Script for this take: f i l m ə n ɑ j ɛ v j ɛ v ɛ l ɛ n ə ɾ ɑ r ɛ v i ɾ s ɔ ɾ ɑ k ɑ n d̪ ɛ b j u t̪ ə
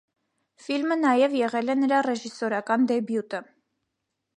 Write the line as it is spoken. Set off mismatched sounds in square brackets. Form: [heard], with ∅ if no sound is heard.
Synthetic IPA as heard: f i l m ə n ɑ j ɛ v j ɛ [ʁ] ɛ l ɛ n ə ɾ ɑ r ɛ [ʒ] i [∅] s ɔ ɾ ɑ k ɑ n d̪ ɛ b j u t̪ ə